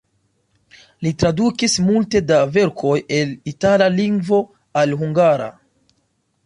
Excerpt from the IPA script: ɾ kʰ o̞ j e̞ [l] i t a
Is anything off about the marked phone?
no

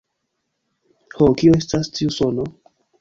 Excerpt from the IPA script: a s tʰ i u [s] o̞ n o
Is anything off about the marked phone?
no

